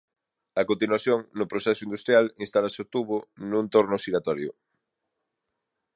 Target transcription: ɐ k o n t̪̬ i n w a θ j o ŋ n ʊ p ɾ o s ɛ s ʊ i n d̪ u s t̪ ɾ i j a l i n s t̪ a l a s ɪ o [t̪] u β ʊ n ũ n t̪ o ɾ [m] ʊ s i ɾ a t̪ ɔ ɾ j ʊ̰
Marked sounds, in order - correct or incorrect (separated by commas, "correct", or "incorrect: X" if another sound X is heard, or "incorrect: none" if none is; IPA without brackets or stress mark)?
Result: correct, incorrect: n